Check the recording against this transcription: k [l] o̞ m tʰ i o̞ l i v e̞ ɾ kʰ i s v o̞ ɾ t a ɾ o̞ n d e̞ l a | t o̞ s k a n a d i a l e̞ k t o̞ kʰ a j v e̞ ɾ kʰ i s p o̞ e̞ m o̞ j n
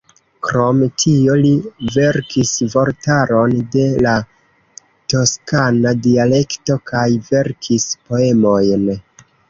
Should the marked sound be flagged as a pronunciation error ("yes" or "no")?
yes